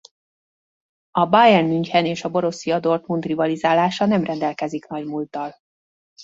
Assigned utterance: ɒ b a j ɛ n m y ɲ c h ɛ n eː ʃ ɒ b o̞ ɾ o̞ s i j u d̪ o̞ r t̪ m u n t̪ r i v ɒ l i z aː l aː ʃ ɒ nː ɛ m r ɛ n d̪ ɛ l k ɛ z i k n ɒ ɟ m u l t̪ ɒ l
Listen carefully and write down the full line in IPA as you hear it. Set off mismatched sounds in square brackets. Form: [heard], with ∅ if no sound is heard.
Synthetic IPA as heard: ɒ b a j ɛ n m y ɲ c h ɛ n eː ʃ ɒ b o̞ ɾ o̞ s i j [ɒ] d̪ o̞ r t̪ m u n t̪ r i v ɒ l i z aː l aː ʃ ɒ [n] ɛ m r ɛ n d̪ ɛ l k ɛ z i k n ɒ ɟ m u l t̪ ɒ l